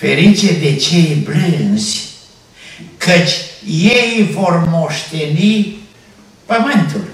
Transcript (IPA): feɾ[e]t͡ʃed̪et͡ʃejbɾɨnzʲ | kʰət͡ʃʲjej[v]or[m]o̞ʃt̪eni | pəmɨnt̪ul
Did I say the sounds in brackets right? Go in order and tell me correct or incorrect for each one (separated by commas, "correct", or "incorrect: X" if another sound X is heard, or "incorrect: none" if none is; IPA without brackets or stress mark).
incorrect: i, correct, correct